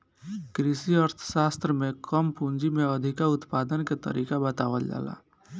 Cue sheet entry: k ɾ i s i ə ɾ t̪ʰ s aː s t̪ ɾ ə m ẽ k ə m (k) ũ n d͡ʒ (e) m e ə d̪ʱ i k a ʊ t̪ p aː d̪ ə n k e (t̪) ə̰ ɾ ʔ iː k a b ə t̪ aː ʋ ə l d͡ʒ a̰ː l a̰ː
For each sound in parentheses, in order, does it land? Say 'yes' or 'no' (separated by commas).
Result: no, no, yes